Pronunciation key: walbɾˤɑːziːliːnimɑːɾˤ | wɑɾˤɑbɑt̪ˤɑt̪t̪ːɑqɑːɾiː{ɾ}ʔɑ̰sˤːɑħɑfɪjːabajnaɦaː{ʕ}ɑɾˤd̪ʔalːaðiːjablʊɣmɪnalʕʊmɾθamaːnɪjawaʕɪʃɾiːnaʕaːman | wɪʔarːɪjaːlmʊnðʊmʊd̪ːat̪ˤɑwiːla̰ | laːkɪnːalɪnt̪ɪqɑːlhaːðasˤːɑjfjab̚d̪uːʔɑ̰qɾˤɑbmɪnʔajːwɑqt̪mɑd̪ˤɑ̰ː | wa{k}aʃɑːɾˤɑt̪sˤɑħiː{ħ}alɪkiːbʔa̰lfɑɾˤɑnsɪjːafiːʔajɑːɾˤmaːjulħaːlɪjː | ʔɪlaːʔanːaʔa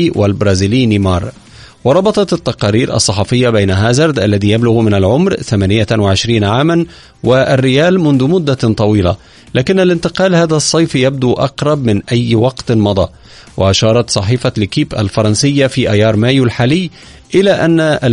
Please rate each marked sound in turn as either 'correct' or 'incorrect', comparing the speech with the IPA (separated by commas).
correct, incorrect, incorrect, incorrect